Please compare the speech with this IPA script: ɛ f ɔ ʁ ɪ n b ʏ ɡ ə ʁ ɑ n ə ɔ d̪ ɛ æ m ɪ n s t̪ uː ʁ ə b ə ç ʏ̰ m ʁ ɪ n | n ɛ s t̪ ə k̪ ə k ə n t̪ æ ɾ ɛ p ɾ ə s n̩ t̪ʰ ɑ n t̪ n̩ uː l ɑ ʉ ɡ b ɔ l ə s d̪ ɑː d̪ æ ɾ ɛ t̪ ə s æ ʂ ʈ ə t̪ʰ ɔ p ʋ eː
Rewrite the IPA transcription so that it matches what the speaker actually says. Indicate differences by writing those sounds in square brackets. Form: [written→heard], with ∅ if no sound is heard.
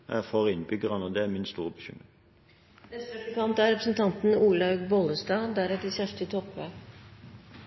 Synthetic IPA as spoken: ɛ f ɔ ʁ ɪ n b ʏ ɡ ə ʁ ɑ n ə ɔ d̪ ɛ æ m ɪ n s t̪ uː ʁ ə b ə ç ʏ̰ m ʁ ɪ [n→ŋ] | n ɛ s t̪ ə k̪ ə k [ə→ɑ] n t̪ æ ɾ ɛ p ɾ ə s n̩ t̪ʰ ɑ n t̪ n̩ uː l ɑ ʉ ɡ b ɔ l ə s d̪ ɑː d̪ æ ɾ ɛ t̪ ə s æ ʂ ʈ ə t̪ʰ ɔ p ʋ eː